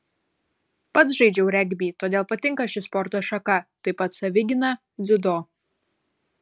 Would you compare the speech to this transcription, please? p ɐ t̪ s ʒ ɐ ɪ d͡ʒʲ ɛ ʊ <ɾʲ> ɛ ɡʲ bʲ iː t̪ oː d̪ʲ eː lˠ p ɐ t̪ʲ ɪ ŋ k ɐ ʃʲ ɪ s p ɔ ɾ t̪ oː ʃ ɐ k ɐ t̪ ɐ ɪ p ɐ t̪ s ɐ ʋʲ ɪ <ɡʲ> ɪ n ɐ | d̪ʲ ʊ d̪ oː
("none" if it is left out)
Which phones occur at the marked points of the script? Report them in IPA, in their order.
ɾʲ, ɡʲ

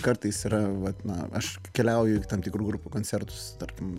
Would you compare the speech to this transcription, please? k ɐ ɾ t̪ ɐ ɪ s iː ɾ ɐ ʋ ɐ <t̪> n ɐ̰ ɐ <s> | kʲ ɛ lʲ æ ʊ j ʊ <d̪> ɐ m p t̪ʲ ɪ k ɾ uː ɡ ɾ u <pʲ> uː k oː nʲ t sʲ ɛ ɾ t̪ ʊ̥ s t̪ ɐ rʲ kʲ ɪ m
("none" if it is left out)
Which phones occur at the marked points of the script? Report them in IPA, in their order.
t̪, ʃ, t̪, pʲ

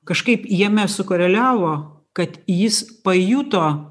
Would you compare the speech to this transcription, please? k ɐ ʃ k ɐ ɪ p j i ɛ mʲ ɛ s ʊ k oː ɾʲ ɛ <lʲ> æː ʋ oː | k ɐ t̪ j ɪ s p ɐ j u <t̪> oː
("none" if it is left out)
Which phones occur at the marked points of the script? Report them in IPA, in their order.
lʲ, t̪

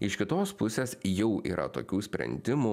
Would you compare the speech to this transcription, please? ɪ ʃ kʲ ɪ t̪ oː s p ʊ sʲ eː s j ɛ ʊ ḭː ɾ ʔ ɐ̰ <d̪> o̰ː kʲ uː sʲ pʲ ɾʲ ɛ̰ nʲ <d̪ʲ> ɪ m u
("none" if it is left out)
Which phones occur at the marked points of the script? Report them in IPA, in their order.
t̪, d̪ʲ

